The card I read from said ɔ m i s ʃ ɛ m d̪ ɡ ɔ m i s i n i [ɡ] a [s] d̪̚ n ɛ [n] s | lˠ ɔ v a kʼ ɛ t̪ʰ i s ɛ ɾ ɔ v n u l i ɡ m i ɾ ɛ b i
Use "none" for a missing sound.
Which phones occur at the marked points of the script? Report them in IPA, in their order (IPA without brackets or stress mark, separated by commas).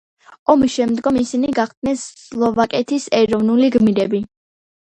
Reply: ɡ, χ, n